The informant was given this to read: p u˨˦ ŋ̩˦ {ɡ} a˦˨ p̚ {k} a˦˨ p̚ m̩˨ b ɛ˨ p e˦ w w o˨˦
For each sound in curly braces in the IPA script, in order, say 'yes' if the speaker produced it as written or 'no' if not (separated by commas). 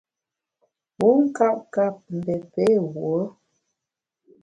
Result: no, yes